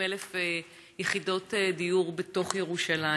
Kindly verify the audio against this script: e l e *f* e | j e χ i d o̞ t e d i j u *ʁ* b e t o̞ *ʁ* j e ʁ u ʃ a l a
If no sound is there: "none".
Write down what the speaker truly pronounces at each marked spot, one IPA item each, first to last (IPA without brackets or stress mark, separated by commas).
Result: f, ʁ, χ